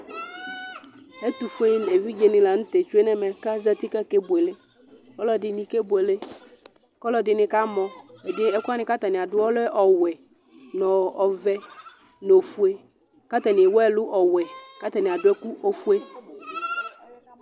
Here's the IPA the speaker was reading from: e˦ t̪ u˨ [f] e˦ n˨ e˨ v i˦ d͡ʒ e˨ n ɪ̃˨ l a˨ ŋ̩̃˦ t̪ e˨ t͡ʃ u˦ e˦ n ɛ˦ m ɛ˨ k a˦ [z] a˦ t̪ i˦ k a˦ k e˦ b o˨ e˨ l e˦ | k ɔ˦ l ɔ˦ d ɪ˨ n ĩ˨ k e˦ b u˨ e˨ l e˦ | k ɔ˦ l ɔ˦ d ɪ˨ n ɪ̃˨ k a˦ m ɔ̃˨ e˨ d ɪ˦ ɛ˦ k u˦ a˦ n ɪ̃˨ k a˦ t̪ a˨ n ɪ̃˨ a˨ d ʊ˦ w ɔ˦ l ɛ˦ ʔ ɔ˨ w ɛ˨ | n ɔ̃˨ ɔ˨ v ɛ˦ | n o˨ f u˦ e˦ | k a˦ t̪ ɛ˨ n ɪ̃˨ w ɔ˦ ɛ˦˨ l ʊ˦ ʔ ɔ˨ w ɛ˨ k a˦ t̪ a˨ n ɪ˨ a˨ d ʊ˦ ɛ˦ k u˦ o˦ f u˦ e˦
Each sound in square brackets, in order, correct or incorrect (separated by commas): correct, correct